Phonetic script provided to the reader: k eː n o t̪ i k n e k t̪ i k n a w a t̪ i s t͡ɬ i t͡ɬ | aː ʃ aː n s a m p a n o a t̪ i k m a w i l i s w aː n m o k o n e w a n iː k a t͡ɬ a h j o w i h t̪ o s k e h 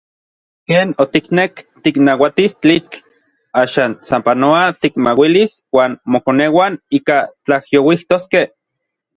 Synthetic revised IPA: k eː n o t̪ i k n e k t̪ i k n a w a t̪ i s t͡ɬ i t͡ɬ | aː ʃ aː n s a m p a n o a t̪ i k m a w i l i s w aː n m o k o n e w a n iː k a t͡ɬ a h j o w i h t̪ o s k e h